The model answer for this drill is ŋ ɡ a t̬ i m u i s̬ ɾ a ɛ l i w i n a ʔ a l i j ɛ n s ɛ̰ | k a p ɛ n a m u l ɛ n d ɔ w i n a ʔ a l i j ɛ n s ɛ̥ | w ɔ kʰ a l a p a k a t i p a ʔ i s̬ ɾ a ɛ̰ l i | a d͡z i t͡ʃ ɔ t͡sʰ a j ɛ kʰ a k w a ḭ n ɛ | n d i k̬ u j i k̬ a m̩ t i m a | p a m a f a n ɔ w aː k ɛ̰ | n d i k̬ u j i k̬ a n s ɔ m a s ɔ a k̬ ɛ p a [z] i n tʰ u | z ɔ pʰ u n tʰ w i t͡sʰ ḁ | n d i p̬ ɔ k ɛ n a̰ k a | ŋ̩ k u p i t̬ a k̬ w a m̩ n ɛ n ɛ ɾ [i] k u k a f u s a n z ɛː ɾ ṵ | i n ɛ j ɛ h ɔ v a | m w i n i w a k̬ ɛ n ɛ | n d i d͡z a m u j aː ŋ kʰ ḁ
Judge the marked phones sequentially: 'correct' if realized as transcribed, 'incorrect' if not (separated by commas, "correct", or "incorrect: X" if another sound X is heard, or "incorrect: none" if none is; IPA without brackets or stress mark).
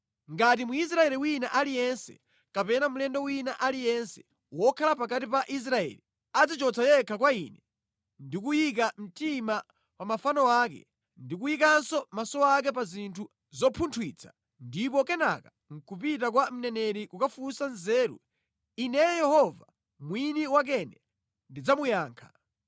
correct, correct